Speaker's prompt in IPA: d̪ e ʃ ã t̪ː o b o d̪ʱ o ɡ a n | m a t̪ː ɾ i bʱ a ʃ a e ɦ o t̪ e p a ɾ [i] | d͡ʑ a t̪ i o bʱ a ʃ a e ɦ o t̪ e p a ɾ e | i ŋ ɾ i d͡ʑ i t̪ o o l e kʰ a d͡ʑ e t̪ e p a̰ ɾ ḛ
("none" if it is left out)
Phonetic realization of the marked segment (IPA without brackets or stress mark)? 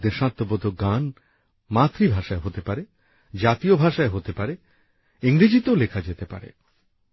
e